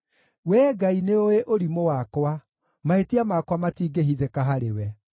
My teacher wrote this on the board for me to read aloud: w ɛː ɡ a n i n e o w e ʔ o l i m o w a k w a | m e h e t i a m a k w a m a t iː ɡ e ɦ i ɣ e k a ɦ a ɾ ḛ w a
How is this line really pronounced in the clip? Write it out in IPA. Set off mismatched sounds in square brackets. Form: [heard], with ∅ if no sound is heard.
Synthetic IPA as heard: w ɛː ɡ a [∅] i n e o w e ʔ o [ɾ] i m o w a k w a | m [a] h e t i a m a k w a m a t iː ɡ e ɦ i [ð] e k a ɦ a ɾ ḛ w [ɛ]